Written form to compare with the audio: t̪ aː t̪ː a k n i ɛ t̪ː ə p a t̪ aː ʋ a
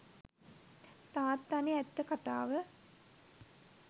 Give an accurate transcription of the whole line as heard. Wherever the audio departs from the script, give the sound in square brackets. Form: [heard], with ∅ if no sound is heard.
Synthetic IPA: t̪ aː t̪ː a [∅] n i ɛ t̪ː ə [k] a t̪ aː ʋ [ə]